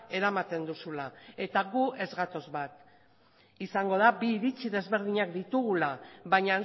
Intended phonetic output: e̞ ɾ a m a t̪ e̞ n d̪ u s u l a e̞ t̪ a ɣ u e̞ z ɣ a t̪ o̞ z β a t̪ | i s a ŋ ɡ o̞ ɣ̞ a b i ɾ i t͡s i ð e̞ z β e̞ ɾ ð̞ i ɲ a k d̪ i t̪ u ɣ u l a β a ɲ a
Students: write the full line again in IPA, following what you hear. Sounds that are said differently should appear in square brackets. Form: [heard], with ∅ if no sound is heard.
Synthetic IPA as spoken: e̞ ɾ a m a t̪ e̞ n d̪ u s u l a e̞ t̪ a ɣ u e̞ z ɣ a t̪ o̞ z β a t̪ | i s a ŋ ɡ o̞ [ð̞] a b [iː] ɾ i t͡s i ð e̞ z β e̞ ɾ ð̞ i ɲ a k d̪ i t̪ u ɣ u l a β a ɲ a